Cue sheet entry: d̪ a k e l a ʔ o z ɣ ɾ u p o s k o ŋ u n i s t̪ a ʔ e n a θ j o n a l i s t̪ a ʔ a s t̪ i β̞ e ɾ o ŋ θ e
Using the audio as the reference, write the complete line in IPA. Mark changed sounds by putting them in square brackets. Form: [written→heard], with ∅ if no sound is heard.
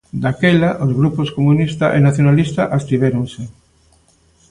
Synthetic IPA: d̪ a k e l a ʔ o z ɣ ɾ u p o s k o [ŋ→m] u n i s t̪ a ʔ e n a θ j o n a l i s t̪ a ʔ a s t̪ i β̞ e ɾ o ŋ [θ→s] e